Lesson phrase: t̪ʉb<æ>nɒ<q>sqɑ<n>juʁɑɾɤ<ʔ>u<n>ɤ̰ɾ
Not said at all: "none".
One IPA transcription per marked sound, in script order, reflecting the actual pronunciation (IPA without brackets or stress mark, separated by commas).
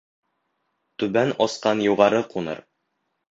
æ, none, n, q, n